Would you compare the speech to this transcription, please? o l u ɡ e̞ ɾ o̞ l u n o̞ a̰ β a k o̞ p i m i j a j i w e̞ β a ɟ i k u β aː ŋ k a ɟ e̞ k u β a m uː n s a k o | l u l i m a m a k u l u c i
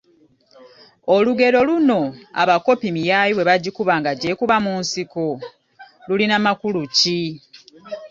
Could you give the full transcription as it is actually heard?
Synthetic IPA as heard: o l u ɡ e̞ ɾ o̞ l u n o̞ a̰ β a k o̞ p i m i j a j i w e̞ β a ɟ i k u β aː ŋ ɡ a ɟ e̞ k u β a m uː n s i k o | l u l i n a m a k u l u c i